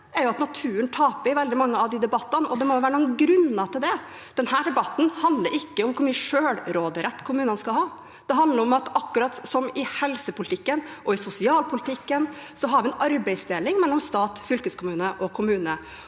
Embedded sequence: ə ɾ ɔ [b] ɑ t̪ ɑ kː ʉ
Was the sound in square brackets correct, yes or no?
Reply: no